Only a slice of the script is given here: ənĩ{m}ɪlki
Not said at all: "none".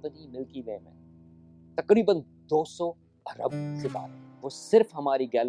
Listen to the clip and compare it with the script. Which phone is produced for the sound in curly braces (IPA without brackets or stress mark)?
m